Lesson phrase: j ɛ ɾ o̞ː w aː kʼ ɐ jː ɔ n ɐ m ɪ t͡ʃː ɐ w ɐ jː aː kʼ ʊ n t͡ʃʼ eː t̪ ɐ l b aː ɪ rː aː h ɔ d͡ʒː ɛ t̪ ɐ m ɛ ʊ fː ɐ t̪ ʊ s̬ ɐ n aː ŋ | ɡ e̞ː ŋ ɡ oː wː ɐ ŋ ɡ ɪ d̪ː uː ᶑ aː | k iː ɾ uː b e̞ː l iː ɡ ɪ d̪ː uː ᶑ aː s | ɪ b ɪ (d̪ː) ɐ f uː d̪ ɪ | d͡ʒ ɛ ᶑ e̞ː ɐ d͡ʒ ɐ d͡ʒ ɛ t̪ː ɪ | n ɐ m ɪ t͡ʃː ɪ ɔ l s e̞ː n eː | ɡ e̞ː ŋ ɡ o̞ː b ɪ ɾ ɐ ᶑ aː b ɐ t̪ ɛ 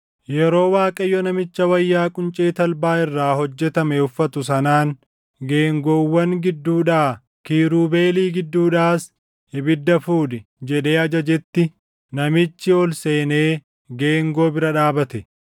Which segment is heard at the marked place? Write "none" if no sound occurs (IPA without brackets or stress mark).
d̪ː